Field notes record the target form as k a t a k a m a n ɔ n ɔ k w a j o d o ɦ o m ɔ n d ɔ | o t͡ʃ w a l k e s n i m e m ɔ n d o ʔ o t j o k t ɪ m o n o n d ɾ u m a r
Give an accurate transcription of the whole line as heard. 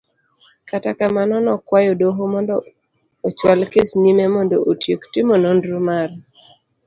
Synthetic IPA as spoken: k a t a k a m a n ɔ n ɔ k w a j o d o ɦ o m ɔ n d ɔ | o t͡ʃ w a l k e s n i m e m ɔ n d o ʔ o t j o k t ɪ m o n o n d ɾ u m a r

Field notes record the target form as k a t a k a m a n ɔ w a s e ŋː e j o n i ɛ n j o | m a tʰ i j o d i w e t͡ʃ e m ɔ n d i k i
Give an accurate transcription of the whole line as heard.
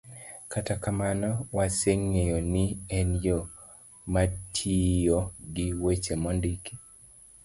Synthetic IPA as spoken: k a t a k a m a n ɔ w a s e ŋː e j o n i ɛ n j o | m a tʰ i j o ɡ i w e t͡ʃ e m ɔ n d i k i

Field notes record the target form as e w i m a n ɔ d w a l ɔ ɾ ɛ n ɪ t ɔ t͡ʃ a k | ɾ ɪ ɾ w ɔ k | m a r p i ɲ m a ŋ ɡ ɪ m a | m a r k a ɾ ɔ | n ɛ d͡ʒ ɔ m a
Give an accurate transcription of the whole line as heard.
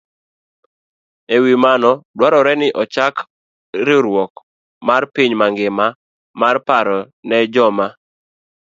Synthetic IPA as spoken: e w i m a n ɔ d w a ɾ ɔ ɾ ɛ n ɪ ʔ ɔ t͡ʃ a k | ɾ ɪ ɾ w ɔ k | m a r p i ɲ m a ŋ ɡ ɪ m a | m a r p a ɾ ɔ | n ɛ d͡ʒ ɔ m a

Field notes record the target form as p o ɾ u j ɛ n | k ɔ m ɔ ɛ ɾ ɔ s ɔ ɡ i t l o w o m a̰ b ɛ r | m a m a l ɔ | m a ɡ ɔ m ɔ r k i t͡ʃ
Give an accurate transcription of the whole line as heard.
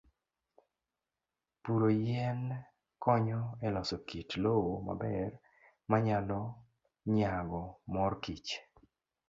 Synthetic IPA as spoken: p u ɾ o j ɛ n | k ɔ ɲ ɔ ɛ l ɔ s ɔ k i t l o w o m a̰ b ɛ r | m a ɲ a l ɔ | ɲ a ɡ ɔ m ɔ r k i t͡ʃ

